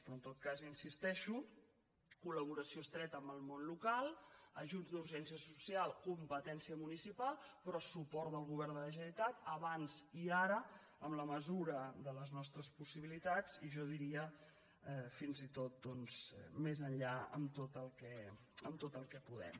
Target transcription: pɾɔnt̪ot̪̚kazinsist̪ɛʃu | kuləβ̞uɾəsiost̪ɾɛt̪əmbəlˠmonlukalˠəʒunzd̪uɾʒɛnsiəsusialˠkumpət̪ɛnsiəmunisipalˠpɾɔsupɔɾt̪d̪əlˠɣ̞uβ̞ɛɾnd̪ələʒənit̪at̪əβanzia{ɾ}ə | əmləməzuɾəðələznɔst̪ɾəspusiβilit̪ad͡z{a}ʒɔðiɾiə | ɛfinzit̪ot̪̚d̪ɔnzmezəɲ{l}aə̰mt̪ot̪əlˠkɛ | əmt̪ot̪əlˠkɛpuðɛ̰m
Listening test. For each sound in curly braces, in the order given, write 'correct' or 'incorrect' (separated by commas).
correct, incorrect, incorrect